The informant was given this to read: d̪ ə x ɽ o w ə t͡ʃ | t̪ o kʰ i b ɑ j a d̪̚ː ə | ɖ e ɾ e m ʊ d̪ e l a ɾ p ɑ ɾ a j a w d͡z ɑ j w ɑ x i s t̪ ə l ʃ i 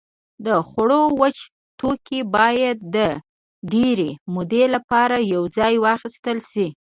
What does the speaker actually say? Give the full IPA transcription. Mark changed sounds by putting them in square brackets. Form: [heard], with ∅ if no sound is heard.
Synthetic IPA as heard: d̪ ə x ɽ o w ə t͡ʃ | t̪ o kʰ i b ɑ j a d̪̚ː ə | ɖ e ɾ e m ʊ d̪ e l a [∅] p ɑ ɾ a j a w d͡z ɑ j w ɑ x i s t̪ ə l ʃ i